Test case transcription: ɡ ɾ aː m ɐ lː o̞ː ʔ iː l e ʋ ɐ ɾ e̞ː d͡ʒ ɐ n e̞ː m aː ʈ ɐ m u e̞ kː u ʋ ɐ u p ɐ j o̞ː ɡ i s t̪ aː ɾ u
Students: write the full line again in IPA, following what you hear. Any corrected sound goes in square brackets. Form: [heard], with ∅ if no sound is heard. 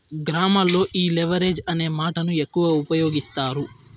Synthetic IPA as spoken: ɡ ɾ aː m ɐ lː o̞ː ʔ iː l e ʋ ɐ ɾ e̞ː d͡ʒ ɐ n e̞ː m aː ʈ ɐ [n] u e̞ kː u ʋ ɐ u p ɐ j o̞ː ɡ i s t̪ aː ɾ u